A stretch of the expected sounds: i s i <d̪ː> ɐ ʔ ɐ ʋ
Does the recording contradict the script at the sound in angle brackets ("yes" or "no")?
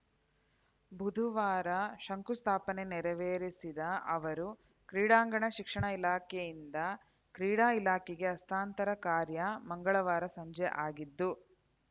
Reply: yes